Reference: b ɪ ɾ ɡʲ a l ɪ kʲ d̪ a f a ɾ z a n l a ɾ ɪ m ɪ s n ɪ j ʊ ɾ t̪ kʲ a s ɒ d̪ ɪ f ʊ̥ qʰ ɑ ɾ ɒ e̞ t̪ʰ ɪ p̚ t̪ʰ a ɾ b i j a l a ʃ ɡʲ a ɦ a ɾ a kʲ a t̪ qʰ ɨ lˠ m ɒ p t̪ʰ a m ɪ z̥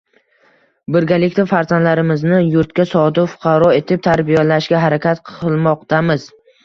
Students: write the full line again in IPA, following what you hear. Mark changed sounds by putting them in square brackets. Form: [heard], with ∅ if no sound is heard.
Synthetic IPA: b ɪ ɾ ɡʲ a l ɪ kʲ [t̪] a f a ɾ z a n l a ɾ ɪ m ɪ [z] n ɪ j ʊ ɾ t̪ kʲ a s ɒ d̪ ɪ f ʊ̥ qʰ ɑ ɾ ɒ e̞ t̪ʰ ɪ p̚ t̪ʰ a ɾ b i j a l a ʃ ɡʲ a ɦ a ɾ a kʲ a t̪ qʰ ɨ lˠ m ɒ [q] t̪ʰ a m ɪ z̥